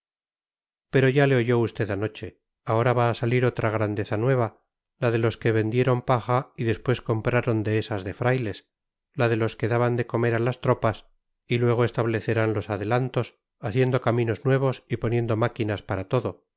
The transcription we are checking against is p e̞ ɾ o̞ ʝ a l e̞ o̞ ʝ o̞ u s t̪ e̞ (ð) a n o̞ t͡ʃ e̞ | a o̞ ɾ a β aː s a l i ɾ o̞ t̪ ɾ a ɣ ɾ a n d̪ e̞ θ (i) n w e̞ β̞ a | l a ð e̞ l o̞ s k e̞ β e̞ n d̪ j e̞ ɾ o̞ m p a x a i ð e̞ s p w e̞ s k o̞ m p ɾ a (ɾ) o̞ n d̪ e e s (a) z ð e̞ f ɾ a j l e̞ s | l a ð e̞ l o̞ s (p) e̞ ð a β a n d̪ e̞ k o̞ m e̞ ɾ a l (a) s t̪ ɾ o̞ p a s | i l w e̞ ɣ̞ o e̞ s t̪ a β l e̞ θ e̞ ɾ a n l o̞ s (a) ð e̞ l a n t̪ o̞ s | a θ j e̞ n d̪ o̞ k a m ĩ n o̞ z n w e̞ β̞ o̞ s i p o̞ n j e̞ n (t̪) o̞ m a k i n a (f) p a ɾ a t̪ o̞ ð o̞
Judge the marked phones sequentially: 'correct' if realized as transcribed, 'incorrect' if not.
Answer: correct, incorrect: a, correct, correct, incorrect: k, correct, correct, incorrect: d̪, incorrect: s

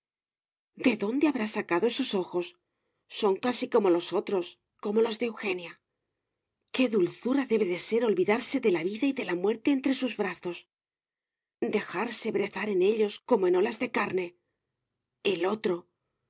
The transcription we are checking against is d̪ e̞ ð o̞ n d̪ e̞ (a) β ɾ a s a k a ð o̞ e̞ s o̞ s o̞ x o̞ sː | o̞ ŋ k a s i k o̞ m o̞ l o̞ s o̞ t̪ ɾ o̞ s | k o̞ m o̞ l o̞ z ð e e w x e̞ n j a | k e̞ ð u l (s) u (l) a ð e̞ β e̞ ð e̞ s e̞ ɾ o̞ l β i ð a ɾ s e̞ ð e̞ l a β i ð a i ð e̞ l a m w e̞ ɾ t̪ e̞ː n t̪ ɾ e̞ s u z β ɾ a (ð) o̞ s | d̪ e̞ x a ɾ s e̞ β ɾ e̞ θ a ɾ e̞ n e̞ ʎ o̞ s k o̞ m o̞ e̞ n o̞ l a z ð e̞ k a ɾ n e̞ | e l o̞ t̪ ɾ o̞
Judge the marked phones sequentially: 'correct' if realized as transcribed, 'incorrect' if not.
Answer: correct, incorrect: θ, incorrect: ɾ, incorrect: θ

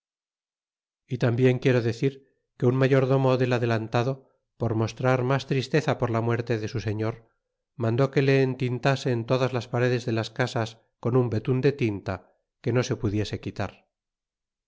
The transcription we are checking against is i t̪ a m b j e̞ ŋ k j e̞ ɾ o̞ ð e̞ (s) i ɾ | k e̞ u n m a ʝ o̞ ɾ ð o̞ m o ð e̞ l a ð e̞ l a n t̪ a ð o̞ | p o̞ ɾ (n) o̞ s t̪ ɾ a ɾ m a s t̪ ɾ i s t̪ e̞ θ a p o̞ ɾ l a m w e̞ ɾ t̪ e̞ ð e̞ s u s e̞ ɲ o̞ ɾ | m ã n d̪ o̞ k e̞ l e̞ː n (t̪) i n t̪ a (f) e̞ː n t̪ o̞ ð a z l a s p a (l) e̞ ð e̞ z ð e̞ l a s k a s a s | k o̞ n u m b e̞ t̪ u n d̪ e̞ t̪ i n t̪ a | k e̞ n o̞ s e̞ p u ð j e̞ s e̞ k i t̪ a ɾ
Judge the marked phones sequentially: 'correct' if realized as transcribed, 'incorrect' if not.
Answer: incorrect: θ, incorrect: m, correct, incorrect: s, incorrect: ɾ

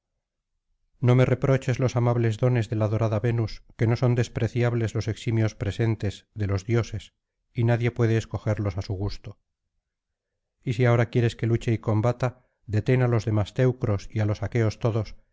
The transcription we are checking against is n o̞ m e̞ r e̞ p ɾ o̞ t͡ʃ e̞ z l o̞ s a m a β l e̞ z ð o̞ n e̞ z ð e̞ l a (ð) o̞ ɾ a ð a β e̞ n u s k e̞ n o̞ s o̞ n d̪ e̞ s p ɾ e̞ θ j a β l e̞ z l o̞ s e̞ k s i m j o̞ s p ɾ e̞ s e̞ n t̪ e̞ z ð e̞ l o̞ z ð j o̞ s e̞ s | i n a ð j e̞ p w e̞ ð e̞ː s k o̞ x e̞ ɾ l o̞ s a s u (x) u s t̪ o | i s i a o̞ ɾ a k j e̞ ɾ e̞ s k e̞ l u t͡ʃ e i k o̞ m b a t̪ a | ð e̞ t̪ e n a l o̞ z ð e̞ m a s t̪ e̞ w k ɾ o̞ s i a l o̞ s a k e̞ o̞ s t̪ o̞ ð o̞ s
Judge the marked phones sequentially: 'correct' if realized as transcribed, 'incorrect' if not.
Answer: correct, incorrect: ɣ

